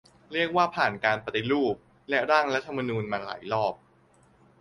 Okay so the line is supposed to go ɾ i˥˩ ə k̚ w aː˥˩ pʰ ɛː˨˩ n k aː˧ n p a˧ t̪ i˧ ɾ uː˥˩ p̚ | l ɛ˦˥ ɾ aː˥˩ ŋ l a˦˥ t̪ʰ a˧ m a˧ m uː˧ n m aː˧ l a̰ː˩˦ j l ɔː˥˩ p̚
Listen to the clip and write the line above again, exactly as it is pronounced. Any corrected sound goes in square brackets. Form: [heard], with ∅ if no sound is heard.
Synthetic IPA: ɾ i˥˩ ə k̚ w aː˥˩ pʰ [aː˨˩] n k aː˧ n p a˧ t̪ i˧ ɾ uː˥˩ p̚ | l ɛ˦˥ ɾ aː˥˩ ŋ [ɾ] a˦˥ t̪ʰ a˧ m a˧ [n] uː˧ n m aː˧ l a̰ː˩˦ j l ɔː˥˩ p̚

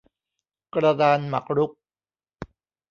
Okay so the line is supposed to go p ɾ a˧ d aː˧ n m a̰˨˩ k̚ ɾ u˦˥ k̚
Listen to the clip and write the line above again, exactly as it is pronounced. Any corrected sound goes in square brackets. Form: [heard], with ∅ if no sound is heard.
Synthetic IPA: [k] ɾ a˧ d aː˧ n m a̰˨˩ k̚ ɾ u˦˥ k̚

